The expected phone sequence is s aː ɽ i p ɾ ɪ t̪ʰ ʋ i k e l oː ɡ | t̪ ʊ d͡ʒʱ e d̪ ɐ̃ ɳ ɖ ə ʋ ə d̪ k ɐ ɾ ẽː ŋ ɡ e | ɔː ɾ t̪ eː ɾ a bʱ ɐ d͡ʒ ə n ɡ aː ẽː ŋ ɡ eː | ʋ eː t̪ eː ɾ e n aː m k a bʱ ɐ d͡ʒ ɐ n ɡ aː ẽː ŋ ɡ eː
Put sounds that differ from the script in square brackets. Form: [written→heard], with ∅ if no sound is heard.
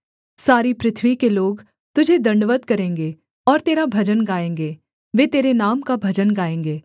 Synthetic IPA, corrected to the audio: s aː [ɽ→ɾ] i p ɾ ɪ t̪ʰ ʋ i k e l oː ɡ | t̪ ʊ d͡ʒʱ e d̪ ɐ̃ ɳ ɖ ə ʋ ə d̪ k ɐ ɾ ẽː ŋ ɡ e | ɔː ɾ t̪ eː ɾ a bʱ ɐ d͡ʒ ə n ɡ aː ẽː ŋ ɡ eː | ʋ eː t̪ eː ɾ e n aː m k a bʱ ɐ d͡ʒ [ɐ→ə] n ɡ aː ẽː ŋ ɡ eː